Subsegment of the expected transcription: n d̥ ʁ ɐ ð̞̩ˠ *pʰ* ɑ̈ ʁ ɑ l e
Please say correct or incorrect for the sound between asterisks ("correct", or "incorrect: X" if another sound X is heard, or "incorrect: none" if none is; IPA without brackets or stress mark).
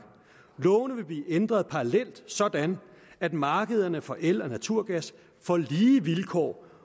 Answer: correct